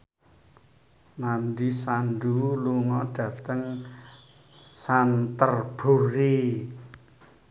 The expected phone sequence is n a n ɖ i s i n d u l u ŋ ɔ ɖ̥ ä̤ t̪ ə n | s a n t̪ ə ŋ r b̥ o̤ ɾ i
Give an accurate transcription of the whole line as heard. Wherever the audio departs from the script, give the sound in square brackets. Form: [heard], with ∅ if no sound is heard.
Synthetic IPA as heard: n a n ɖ i s [a] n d u l u ŋ ɔ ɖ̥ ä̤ t̪ ə [ŋ] | s a n t̪ ə [∅] r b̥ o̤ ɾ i

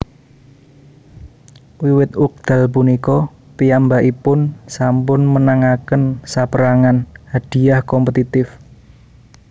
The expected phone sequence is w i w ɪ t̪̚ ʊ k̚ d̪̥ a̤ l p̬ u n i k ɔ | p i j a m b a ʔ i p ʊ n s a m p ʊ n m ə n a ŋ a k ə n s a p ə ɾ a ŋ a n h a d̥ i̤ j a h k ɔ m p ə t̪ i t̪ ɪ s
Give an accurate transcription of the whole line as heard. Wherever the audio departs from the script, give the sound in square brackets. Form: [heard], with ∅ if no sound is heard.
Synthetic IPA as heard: w i w ɪ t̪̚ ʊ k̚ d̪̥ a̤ l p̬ u n i k ɔ | p i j a m b a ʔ i p ʊ n s a m p ʊ n m ə n a ŋ a k ə n s a p ə ɾ a ŋ a n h a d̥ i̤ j a h k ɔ m p ə t̪ i t̪ ɪ [f]

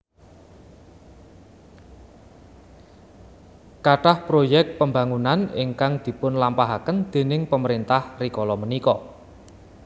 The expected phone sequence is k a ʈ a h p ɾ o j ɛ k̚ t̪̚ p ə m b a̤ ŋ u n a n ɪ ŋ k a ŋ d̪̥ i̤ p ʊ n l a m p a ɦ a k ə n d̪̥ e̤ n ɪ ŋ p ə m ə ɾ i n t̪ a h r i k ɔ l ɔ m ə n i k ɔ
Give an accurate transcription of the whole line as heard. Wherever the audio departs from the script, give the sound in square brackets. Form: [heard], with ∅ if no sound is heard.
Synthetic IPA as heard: k a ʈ a h p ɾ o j ɛ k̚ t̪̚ p ə m b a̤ ŋ u n a n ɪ ŋ k a ŋ d̪̥ i̤ p ʊ n l a m p a ɦ a k ə n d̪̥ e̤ n ɪ ŋ p ə m ə ɾ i n t̪ a h r i k ɔ l ɔ m ə n i k ɔ

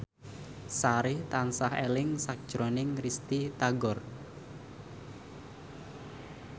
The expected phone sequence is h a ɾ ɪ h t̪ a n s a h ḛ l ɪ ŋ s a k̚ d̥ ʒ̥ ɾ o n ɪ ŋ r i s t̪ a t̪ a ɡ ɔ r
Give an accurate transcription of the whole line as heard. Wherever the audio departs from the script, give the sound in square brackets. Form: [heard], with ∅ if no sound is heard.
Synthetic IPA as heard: [s] a ɾ ɪ h t̪ a n s a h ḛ l ɪ ŋ s a k̚ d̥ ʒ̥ ɾ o n ɪ ŋ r i s t̪ [i] t̪ a ɡ ɔ r

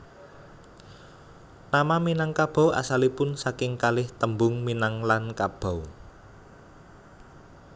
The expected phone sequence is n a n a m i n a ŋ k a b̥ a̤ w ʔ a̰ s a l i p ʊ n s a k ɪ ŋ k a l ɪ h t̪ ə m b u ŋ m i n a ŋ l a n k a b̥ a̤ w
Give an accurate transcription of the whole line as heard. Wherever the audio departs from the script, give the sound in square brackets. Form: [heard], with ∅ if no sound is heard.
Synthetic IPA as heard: n a [m] a m i n a ŋ k a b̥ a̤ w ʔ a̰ s a l i p ʊ n s a k ɪ ŋ k a l ɪ h t̪ ə m b [ʊ] ŋ m i n a ŋ l a n k a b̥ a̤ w

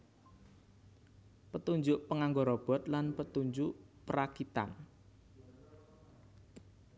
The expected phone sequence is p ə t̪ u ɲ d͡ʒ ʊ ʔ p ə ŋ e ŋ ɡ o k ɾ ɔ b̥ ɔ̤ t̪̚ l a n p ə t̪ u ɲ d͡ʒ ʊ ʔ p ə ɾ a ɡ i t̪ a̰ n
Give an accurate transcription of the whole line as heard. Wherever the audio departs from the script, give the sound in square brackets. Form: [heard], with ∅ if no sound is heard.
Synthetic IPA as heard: p ə t̪ u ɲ d͡ʒ ʊ ʔ p ə ŋ [a] ŋ ɡ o [∅] ɾ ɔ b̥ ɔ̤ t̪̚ l a n p ə t̪ u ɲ d͡ʒ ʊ ʔ p ə ɾ a [k] i t̪ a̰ n

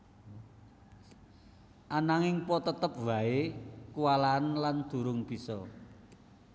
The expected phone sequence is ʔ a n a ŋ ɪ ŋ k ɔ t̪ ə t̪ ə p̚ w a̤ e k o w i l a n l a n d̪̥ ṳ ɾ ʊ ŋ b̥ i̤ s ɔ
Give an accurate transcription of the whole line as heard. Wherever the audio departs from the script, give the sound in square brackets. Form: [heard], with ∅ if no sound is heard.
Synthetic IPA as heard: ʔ a n a ŋ ɪ ŋ [p] ɔ t̪ ə t̪ ə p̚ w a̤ e k [u] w [a] l a n l a n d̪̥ ṳ ɾ ʊ ŋ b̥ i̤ s ɔ

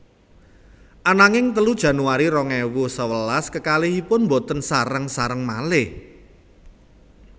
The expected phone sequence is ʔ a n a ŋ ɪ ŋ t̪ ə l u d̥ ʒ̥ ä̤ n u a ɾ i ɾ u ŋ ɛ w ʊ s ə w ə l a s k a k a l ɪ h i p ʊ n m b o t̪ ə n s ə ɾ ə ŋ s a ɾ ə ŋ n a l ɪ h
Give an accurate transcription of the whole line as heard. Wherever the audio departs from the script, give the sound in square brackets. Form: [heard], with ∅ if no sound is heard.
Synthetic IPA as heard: ʔ a n a ŋ ɪ ŋ t̪ ə l u d̥ ʒ̥ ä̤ n u a ɾ i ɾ [ɔ] ŋ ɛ w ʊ s ə w ə l a s k [ə] k a l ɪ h i p ʊ n m b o t̪ ə n s [a] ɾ ə ŋ s a ɾ ə ŋ [m] a l ɪ h

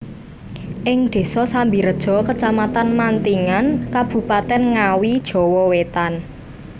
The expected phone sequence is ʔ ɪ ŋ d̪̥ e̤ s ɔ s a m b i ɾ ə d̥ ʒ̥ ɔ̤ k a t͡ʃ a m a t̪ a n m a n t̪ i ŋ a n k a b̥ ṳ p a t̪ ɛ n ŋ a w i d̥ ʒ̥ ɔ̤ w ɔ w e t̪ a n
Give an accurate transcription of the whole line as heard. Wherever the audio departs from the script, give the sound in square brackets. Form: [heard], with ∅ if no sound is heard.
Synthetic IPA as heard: ʔ ɪ ŋ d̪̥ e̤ s ɔ s a m b i ɾ ə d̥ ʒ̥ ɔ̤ k [ə] t͡ʃ a m a t̪ a n m a n t̪ i ŋ a n k a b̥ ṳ p a t̪ ɛ n ŋ a w i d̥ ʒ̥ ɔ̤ w ɔ w e t̪ a n

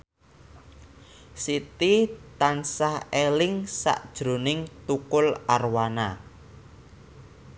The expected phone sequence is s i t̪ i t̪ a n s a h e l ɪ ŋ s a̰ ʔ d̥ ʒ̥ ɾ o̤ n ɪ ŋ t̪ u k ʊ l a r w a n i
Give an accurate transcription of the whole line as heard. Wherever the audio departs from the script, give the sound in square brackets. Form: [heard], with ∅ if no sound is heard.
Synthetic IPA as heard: s i t̪ i t̪ a n s a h e l ɪ ŋ s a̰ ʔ d̥ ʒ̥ ɾ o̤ n ɪ ŋ t̪ u k ʊ l a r w a n [a]

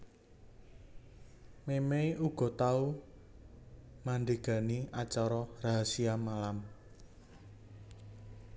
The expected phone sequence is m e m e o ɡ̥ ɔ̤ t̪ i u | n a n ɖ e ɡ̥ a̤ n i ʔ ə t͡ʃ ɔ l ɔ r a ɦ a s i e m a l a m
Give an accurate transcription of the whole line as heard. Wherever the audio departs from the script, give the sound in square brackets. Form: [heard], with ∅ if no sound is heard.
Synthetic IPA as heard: m e m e [u] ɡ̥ ɔ̤ t̪ [a] u | [m] a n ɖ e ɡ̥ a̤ n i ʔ [a] t͡ʃ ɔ [ɾ] ɔ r a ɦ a s i [a] m a l a m

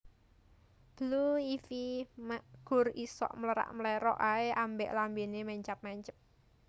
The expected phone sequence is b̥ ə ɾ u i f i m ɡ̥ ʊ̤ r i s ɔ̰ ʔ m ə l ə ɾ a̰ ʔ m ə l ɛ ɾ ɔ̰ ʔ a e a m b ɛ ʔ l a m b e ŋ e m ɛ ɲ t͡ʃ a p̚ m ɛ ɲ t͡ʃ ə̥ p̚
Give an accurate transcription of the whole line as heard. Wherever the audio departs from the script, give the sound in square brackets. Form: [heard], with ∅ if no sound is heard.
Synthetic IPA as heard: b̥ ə [l] u i f i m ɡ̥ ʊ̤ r i s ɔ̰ ʔ m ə l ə ɾ a̰ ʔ m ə l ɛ ɾ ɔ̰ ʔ a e a m b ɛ ʔ l a m b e [n] e m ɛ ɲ t͡ʃ a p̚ m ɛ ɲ t͡ʃ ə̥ p̚

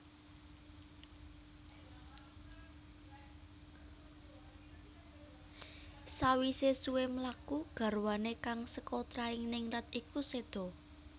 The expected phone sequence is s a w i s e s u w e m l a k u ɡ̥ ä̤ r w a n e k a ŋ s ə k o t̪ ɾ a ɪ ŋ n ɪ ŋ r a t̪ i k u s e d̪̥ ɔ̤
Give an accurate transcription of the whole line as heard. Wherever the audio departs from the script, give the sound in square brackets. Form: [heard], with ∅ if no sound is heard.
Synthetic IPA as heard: s a w i s e s u w e m l a k u ɡ̥ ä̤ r w a n e k a ŋ s ə k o t̪ ɾ a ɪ ŋ n ɪ ŋ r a t̪ i k u s e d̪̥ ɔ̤

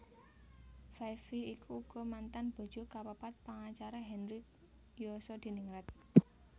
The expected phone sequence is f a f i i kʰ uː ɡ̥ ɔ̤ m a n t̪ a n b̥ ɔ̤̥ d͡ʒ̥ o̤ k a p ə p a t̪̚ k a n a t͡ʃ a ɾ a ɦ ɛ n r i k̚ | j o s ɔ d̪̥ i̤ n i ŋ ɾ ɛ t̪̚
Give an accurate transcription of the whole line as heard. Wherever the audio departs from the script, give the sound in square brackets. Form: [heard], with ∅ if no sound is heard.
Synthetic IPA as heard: f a f i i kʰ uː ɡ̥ ɔ̤ m a n t̪ a n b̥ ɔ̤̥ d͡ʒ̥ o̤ k a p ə p a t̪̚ [p] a [ŋ] a t͡ʃ a ɾ a ɦ ɛ n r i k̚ | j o s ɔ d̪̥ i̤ n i ŋ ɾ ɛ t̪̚

